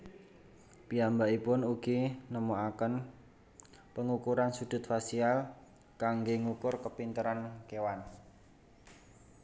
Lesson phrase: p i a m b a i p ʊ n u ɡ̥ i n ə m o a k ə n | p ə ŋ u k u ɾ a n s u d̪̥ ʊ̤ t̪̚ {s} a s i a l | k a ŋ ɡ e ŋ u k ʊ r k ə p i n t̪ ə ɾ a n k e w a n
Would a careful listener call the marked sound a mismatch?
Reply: yes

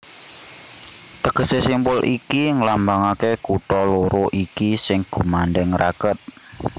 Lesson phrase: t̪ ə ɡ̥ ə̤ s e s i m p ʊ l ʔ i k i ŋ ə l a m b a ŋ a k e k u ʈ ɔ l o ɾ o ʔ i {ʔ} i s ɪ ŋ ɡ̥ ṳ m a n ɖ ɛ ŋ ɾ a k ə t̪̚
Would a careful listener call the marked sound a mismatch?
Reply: yes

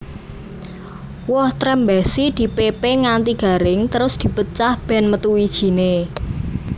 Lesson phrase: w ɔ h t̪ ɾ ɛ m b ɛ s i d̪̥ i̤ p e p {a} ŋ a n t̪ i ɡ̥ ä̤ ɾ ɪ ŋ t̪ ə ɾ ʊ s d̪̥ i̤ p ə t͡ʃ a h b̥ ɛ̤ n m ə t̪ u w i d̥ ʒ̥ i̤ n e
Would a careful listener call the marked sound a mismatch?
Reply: yes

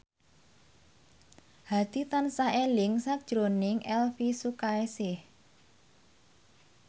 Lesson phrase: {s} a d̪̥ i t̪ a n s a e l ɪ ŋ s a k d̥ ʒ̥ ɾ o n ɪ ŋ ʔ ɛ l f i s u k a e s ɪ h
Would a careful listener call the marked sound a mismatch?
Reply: yes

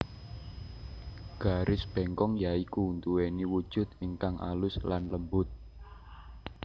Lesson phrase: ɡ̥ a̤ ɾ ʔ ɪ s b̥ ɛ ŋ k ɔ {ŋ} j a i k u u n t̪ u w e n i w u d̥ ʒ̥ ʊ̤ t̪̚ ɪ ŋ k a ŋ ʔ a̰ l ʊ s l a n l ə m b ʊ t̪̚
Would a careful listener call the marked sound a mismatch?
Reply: no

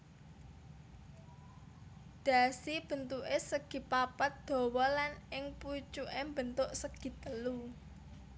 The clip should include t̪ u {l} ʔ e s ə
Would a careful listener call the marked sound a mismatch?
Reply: yes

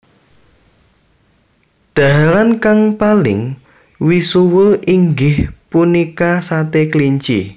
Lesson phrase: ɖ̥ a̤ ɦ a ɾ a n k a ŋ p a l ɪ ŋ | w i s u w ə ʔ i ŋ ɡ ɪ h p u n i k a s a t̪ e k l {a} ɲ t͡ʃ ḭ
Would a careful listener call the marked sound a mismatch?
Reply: yes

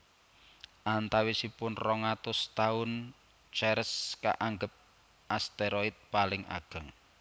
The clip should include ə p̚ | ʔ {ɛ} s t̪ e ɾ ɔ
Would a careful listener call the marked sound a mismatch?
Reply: yes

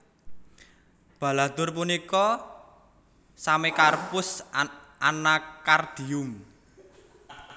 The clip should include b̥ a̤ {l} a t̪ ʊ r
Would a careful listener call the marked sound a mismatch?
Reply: no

